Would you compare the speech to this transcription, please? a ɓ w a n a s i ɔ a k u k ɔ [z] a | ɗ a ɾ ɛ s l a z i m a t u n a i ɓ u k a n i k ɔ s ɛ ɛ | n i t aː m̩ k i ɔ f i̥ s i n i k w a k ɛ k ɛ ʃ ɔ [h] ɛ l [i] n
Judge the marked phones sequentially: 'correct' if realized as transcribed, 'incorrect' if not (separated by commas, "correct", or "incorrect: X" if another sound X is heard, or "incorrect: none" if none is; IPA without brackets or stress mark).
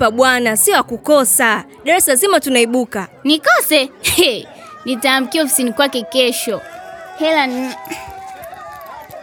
incorrect: s, correct, incorrect: a